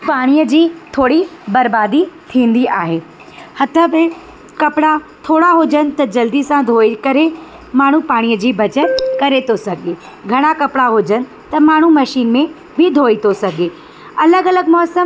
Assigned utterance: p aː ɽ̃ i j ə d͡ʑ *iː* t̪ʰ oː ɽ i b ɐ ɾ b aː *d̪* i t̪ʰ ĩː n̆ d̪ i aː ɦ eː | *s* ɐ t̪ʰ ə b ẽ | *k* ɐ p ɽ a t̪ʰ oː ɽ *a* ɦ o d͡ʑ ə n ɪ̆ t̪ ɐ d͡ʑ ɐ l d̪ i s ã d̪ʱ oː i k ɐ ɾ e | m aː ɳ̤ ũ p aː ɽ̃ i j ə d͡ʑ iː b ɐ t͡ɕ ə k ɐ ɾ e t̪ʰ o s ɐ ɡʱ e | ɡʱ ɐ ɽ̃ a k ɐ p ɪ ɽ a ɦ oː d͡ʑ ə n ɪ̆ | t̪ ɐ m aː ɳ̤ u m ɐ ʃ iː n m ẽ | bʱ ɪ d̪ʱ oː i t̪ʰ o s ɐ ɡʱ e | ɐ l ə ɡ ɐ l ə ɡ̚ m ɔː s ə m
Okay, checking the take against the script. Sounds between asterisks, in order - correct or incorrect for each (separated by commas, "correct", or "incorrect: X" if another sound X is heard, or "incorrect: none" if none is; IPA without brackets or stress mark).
correct, correct, incorrect: h, correct, correct